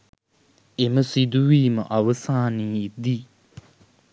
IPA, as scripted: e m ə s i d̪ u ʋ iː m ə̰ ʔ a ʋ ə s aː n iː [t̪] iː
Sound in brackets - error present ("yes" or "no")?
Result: yes